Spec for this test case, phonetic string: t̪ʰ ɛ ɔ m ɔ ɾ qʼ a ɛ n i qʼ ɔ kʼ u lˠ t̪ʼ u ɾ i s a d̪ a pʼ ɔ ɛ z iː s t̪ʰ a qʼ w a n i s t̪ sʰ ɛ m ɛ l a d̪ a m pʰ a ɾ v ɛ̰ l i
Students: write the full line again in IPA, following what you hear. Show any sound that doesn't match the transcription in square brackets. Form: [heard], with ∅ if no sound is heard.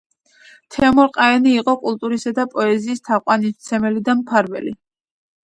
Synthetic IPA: t̪ʰ ɛ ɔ m ɔ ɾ qʼ a ɛ n [iː] qʼ ɔ kʼ u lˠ t̪ʼ u ɾ i s a d̪ a pʼ ɔ ɛ z iː s t̪ʰ a qʼ w a n i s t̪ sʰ ɛ m ɛ l [i] d̪ a m pʰ a ɾ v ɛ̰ l i